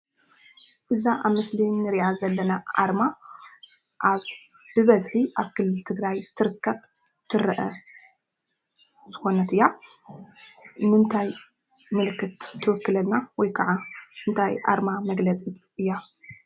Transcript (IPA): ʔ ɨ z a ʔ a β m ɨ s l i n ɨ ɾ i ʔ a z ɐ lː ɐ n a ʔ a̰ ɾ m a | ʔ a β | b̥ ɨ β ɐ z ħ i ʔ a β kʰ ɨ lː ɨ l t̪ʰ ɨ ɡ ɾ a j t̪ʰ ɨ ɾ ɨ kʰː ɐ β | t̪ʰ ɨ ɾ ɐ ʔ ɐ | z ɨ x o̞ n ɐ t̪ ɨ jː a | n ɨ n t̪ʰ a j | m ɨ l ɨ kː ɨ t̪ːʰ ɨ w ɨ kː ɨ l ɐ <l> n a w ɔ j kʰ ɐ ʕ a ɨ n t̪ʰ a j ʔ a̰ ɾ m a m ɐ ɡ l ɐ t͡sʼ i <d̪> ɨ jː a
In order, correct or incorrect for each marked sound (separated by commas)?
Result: correct, incorrect